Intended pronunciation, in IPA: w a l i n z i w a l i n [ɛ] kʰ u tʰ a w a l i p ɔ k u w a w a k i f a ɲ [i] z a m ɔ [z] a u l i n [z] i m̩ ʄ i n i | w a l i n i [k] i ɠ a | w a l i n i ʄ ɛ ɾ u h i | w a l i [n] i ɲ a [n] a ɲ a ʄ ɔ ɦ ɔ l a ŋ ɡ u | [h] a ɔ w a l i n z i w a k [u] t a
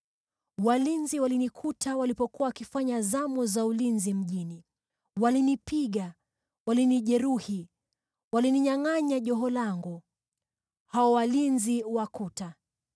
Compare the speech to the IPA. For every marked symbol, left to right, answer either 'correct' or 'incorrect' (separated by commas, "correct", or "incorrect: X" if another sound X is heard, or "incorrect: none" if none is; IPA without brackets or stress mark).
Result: incorrect: i, incorrect: a, correct, correct, incorrect: p, correct, incorrect: ŋ, correct, correct